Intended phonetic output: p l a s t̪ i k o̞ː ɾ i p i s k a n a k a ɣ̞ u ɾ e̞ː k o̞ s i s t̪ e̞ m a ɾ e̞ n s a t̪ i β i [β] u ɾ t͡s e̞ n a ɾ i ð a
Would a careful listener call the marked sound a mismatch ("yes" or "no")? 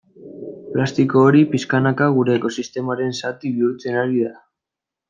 yes